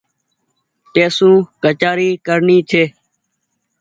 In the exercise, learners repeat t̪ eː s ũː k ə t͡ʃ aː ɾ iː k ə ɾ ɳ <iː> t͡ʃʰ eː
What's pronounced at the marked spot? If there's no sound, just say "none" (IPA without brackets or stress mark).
iː